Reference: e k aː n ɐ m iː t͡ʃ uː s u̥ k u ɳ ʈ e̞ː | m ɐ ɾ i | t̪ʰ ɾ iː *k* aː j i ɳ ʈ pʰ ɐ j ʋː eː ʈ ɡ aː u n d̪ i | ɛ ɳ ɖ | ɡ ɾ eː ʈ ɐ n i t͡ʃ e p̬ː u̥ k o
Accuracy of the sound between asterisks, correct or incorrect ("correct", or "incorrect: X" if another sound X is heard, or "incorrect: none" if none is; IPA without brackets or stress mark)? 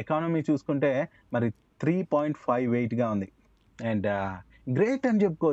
incorrect: p